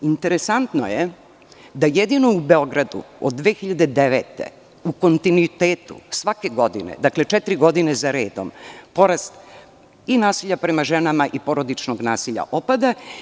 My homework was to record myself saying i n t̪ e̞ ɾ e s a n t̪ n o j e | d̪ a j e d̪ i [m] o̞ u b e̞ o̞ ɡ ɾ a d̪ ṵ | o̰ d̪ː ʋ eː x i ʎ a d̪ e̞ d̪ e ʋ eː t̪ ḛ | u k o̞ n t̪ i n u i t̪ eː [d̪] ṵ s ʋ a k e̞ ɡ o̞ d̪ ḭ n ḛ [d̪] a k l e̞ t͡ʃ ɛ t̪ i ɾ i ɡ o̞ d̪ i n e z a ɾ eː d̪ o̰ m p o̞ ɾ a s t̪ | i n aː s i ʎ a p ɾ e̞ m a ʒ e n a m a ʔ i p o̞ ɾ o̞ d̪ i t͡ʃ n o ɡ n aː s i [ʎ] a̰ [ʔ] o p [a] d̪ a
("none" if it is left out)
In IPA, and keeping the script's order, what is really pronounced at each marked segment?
n, t̪, d̪, ʎ, ʔ, a

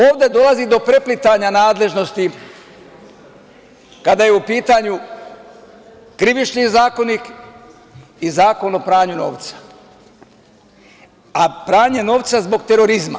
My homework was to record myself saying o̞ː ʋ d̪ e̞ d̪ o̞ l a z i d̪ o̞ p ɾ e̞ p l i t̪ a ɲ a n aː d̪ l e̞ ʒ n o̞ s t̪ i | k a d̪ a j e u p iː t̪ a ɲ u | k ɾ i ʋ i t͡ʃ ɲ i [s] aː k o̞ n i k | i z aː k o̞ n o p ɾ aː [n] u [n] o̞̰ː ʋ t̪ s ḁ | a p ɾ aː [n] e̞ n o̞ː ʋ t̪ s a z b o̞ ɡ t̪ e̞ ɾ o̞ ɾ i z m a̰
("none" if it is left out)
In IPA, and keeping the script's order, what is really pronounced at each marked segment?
z, ɲ, n, ɲ

